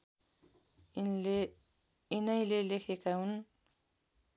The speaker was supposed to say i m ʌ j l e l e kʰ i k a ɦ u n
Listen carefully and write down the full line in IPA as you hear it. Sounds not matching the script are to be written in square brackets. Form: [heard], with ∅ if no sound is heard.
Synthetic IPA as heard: i [n] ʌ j l e l e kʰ [e] k a ɦ u n